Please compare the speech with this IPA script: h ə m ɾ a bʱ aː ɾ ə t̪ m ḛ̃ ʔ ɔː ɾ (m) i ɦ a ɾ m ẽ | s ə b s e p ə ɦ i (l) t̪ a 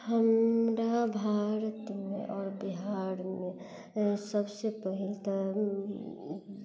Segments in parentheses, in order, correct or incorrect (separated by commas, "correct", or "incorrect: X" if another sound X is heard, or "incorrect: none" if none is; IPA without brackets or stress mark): incorrect: b, correct